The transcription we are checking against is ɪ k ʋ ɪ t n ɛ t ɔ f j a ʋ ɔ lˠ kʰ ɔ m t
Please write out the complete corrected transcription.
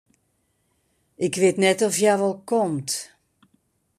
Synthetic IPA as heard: ɪ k ʋ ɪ t n ɛ t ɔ f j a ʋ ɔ lˠ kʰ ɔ m t